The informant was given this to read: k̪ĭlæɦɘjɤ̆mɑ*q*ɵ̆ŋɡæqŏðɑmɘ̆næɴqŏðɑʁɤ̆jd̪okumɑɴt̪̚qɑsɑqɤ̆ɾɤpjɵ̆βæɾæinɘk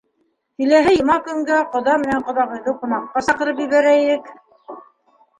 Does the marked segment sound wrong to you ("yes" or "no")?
yes